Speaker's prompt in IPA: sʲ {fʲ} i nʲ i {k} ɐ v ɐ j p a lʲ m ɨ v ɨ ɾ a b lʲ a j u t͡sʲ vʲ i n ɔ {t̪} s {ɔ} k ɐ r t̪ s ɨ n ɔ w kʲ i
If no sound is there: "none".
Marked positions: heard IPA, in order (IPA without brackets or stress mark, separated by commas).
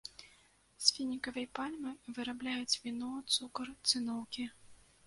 fʲ, k, t̪, u